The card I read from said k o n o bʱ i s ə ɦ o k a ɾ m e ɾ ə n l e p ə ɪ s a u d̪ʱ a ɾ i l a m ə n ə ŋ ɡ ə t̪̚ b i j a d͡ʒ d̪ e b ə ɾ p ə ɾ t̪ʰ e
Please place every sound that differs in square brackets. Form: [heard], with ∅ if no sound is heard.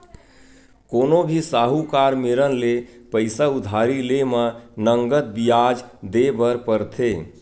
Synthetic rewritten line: k o n o bʱ i s [a] ɦ [u] k a ɾ m e ɾ ə n l e p ə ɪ s a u d̪ʱ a ɾ i l [e] m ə n ə ŋ ɡ ə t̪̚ b i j a d͡ʒ d̪ e b ə ɾ p ə ɾ t̪ʰ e